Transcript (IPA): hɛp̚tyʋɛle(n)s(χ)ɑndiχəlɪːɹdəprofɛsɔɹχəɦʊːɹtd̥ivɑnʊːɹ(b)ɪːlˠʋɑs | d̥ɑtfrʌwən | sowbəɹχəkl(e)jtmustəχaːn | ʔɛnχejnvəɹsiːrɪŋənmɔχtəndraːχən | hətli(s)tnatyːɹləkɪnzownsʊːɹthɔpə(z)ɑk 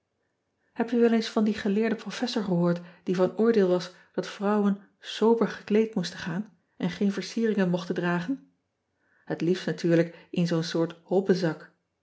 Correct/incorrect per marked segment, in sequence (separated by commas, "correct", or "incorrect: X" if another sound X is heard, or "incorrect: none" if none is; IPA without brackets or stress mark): correct, incorrect: f, incorrect: d, correct, incorrect: f, correct